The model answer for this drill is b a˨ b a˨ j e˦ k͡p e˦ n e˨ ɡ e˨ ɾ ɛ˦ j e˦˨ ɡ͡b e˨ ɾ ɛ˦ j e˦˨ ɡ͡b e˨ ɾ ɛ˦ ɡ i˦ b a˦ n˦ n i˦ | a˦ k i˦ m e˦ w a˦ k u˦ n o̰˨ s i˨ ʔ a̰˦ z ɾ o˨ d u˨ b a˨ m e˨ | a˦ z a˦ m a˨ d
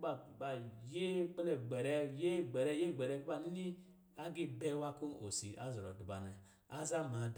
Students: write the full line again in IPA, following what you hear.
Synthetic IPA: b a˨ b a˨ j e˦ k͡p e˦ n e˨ ɡ͡b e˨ ɾ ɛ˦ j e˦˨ ɡ͡b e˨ ɾ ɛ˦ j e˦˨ ɡ͡b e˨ ɾ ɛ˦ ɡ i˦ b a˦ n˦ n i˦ | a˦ ɡ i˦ b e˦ w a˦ k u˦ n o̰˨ s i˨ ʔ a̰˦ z ɾ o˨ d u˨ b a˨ n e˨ | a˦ z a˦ m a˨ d